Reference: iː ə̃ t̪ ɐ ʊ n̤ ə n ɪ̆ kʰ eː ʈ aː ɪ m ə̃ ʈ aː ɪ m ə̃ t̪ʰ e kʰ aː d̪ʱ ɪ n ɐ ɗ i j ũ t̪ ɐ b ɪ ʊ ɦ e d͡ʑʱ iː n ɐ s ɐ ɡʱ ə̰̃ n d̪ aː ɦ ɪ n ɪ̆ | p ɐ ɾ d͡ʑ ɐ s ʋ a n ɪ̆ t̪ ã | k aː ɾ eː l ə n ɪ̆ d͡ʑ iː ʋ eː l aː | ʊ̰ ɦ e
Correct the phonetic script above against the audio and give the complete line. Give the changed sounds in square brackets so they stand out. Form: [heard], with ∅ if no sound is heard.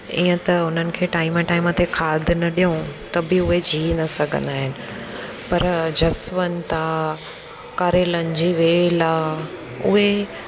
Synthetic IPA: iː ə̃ t̪ ɐ ʊ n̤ ə n ɪ̆ kʰ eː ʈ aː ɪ m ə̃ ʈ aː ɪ m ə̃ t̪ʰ e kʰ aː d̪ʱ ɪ n ɐ ɗ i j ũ t̪ ɐ b ɪ ʊ ɦ e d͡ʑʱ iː n ɐ s ɐ ɡʱ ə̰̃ n d̪ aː ɦ ɪ n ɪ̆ | p ɐ ɾ d͡ʑ ɐ s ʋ [ə] n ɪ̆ t̪ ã | k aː ɾ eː l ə n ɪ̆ d͡ʑ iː ʋ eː l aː | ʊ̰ ɦ e

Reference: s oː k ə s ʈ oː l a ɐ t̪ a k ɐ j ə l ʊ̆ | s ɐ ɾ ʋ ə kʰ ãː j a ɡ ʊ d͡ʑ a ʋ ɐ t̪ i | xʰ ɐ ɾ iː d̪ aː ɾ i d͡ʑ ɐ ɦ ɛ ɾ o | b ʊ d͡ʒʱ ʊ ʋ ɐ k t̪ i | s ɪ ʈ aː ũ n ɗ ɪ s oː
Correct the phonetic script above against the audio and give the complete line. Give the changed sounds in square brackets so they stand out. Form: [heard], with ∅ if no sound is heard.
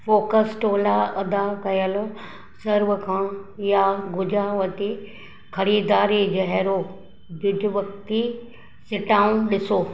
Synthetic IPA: [f] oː k ə s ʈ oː l a ɐ [d̪] a k ɐ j ə l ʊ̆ | s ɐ ɾ ʋ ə kʰ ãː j a ɡ ʊ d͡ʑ a ʋ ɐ t̪ i | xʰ ɐ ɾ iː d̪ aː ɾ i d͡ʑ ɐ ɦ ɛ ɾ o | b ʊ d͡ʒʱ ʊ ʋ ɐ k t̪ i | s ɪ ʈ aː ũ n ɗ ɪ s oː

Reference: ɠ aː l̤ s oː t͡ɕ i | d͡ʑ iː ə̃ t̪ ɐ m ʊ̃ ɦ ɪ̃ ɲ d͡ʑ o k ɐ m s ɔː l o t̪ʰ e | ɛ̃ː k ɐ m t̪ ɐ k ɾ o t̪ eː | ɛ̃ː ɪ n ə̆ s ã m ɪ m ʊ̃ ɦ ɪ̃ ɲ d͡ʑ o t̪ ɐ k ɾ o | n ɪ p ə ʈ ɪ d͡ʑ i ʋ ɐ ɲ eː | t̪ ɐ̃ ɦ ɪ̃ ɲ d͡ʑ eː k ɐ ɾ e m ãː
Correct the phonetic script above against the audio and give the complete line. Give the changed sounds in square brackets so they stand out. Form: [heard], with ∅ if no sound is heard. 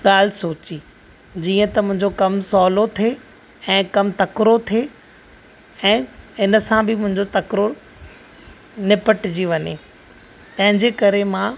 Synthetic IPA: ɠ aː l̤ s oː t͡ɕ i | d͡ʑ iː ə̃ t̪ ɐ m ʊ̃ ɦ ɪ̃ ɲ d͡ʑ o k ɐ m s ɔː l o t̪ʰ e | ɛ̃ː k ɐ m t̪ ɐ k ɾ o [t̪ʰ] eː | ɛ̃ː ɪ n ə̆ s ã [b] ɪ m ʊ̃ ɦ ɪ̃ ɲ d͡ʑ o t̪ ɐ k ɾ o | n ɪ p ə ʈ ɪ d͡ʑ i ʋ ɐ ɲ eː | t̪ ɐ̃ ɦ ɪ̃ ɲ d͡ʑ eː k ɐ ɾ e m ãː

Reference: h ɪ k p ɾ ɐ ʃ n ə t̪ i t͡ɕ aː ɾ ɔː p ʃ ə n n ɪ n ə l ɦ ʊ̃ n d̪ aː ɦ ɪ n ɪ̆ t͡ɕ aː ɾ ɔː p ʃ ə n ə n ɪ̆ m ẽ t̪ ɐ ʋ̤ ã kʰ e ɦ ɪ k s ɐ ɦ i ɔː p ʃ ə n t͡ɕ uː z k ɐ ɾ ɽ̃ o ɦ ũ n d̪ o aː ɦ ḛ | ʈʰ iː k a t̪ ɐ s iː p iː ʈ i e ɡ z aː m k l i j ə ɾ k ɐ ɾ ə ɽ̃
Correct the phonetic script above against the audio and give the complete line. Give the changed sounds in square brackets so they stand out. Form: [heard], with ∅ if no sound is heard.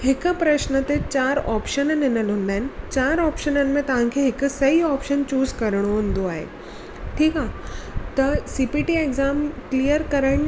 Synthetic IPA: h ɪ k p ɾ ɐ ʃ n ə t̪ [e] t͡ɕ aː ɾ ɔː p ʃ ə n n ɪ n ə l ɦ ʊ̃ n d̪ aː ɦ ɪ n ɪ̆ t͡ɕ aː ɾ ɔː p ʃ ə n ə n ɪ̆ m ẽ t̪ ɐ ʋ̤ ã kʰ e ɦ ɪ k s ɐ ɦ i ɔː p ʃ ə n t͡ɕ uː z k ɐ ɾ ɽ̃ o ɦ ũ n d̪ o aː ɦ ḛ | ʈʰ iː k a t̪ ɐ s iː p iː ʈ i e ɡ z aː m k l i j ə ɾ k ɐ ɾ ə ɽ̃

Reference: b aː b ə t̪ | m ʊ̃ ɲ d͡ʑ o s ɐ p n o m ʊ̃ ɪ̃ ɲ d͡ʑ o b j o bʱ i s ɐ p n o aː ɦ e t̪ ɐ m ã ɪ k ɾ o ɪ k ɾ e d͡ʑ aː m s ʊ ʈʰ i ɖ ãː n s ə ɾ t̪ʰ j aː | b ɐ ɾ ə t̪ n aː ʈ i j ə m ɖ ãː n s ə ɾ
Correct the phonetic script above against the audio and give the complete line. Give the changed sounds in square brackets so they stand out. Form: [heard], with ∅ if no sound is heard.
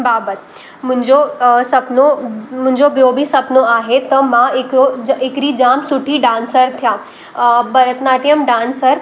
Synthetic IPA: b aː b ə t̪ | m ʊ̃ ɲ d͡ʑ o s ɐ p n o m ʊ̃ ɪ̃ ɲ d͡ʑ o b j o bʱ i s ɐ p n o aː ɦ e t̪ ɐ m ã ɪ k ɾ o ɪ k ɾ [i] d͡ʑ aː m s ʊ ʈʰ i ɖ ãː n s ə ɾ t̪ʰ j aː | b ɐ ɾ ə t̪ n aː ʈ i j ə m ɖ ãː n s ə ɾ

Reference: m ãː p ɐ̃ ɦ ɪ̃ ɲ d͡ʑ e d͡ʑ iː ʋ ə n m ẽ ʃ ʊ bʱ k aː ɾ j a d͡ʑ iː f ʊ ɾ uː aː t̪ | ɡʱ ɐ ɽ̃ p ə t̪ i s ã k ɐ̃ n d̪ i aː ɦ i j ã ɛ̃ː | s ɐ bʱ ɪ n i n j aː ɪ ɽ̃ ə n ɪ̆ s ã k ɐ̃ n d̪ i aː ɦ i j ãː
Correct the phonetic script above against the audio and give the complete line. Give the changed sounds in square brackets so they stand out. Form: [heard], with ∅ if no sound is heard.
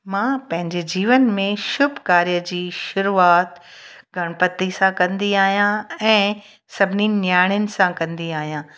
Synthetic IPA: m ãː p ɐ̃ ɦ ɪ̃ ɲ d͡ʑ e d͡ʑ iː ʋ ə n m ẽ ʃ ʊ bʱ k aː ɾ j [ə] d͡ʑ iː [ʃ] ʊ ɾ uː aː t̪ | ɡʱ ɐ ɽ̃ p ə t̪ i s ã k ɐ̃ n d̪ i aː ɦ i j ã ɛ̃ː | s ɐ bʱ ɪ n i n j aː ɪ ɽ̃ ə n ɪ̆ s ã k ɐ̃ n d̪ i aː ɦ i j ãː

